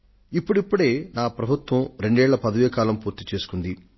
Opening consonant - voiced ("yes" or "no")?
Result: no